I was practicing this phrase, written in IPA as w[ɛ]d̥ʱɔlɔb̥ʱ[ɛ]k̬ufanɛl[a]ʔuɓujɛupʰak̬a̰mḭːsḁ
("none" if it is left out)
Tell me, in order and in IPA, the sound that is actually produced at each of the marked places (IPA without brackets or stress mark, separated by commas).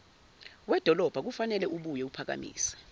ɛ, a, ɛ